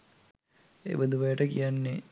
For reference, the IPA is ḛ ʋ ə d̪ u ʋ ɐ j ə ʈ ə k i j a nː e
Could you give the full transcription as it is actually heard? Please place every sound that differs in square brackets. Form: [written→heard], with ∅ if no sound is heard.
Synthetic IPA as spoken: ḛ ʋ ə d̪ u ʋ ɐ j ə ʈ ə k i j a nː e